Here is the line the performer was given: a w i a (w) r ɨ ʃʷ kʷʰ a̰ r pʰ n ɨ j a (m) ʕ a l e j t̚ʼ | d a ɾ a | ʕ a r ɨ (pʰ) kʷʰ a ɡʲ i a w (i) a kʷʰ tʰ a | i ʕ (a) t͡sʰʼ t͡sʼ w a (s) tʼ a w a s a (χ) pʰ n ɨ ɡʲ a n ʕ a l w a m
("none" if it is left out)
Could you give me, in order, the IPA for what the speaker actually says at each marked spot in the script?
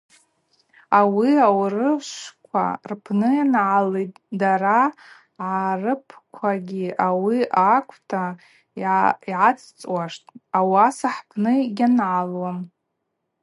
w, n, pʰ, i, a, ʂ, ħ

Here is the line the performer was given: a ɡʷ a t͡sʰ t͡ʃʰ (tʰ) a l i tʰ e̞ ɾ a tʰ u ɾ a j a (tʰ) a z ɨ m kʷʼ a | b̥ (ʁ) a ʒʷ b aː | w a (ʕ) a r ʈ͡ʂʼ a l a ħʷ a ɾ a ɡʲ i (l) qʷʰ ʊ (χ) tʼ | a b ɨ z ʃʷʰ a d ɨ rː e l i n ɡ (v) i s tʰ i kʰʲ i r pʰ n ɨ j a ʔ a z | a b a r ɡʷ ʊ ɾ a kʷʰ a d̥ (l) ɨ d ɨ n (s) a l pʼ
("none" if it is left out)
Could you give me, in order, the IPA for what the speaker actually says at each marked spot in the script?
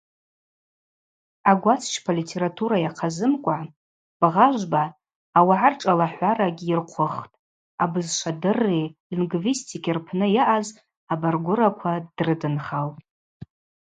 pʰ, qʰ, ʁ, ʕ, r, χ, v, r, χ

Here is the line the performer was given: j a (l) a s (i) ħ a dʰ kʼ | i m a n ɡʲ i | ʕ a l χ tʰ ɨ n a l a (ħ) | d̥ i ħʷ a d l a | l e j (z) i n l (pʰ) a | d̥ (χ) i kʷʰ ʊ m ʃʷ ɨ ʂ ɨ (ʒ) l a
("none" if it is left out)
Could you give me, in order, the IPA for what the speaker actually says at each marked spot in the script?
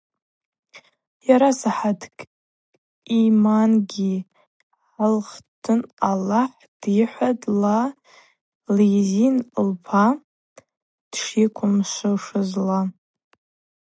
ɾ, a, ħ, z, pʰ, ʂ, z

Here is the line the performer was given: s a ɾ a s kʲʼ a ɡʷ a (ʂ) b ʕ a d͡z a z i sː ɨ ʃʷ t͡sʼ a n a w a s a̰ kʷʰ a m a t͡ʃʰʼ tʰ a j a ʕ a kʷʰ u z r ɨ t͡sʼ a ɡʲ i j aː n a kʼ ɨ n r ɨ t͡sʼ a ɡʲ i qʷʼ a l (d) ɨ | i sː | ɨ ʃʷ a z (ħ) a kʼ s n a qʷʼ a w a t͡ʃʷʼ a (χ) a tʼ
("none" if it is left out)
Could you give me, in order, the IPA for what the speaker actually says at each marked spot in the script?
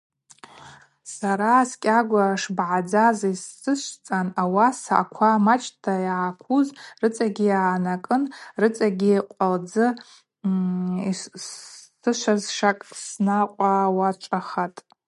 ʂ, d͡z, ʂ, χ

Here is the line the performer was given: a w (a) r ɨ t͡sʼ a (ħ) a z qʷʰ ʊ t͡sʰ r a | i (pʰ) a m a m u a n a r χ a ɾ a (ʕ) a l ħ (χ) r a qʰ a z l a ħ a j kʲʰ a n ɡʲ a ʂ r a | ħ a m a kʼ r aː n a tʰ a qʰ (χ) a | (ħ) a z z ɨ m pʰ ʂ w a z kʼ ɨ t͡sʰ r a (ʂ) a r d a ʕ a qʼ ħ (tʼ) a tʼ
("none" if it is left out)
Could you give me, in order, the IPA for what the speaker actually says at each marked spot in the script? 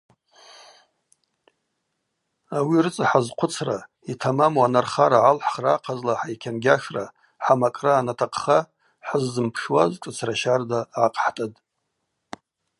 i, ħ, tʰ, ʕ, χ, χ, ħ, ʃ, tʼ

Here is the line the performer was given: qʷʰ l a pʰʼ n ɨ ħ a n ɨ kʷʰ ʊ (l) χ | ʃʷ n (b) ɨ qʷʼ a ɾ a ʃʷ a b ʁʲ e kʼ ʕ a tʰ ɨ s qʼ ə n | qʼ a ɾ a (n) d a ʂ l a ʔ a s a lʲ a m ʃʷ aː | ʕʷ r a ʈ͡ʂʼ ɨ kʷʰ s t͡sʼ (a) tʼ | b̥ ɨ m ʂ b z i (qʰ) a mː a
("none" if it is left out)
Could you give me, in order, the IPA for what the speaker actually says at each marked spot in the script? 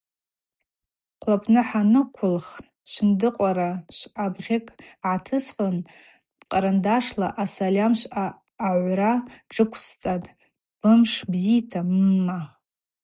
l, d, n, a, tʰ

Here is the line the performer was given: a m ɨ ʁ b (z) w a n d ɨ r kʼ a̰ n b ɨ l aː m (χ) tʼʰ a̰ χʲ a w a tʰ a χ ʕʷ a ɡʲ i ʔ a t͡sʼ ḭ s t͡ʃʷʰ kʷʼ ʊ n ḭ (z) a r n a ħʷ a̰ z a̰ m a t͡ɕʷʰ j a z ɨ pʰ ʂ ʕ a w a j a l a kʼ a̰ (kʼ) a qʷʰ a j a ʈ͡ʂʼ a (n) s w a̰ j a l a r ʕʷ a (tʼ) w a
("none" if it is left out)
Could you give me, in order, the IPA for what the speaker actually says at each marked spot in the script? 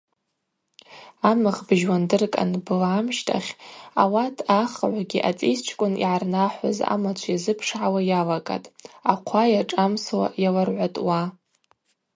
ʒ, ʃ, ʕ, tʼ, m, tʼ

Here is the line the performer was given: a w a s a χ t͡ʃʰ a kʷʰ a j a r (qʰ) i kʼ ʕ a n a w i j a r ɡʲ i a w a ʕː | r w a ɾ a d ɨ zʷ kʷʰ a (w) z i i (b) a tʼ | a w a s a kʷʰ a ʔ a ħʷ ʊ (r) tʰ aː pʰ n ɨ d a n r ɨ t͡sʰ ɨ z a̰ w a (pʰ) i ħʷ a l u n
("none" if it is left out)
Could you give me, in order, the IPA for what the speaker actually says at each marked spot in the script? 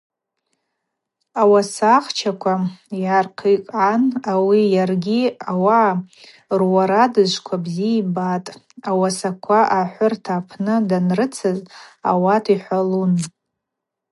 qʰ, b, b, r, tʰ

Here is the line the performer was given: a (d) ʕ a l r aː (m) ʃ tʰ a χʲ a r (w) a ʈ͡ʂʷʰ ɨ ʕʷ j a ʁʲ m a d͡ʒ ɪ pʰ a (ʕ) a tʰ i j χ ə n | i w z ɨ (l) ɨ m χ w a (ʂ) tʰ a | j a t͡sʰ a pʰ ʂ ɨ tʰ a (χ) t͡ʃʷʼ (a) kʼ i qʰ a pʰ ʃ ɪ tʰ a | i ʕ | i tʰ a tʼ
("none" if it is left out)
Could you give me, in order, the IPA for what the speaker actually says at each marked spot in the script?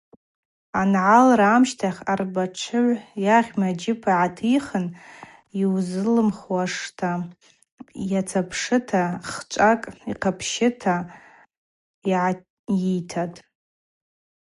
n, m, b, ʕ, l, ʂ, χ, a

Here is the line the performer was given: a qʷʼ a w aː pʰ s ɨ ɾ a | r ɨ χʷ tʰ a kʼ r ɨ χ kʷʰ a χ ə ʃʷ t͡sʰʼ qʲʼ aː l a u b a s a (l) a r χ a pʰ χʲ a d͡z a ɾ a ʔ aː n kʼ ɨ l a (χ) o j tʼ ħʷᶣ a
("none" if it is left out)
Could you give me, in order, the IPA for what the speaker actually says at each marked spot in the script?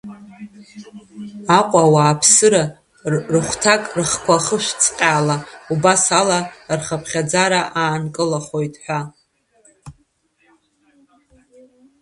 l, χ

